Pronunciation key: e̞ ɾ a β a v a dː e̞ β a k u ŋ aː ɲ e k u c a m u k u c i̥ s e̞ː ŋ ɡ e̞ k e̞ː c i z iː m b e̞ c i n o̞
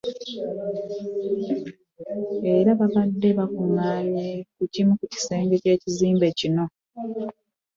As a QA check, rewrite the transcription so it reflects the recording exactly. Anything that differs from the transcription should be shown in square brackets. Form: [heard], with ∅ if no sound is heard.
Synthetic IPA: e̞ ɾ a β a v a dː e̞ β a k u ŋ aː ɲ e k u c [i] m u k u c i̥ s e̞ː ŋ ɡ e̞ [c] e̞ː c i z iː m b e̞ c i n o̞